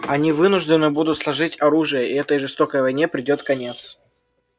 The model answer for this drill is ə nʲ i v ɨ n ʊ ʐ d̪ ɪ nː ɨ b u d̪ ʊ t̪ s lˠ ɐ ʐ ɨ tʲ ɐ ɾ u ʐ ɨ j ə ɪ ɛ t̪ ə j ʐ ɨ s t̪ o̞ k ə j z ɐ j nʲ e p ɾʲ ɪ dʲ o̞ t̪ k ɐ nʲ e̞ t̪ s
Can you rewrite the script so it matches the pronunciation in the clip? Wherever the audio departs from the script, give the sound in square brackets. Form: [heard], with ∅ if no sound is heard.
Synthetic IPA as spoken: [ɐ] nʲ i v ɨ n ʊ ʐ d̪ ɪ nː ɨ b u d̪ ʊ t̪ s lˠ ɐ ʐ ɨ tʲ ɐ ɾ u ʐ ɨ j ə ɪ ɛ t̪ ə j ʐ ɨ s t̪ o̞ k ə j [v] ɐ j nʲ e p ɾʲ ɪ dʲ o̞ t̪ k ɐ nʲ e̞ t̪ s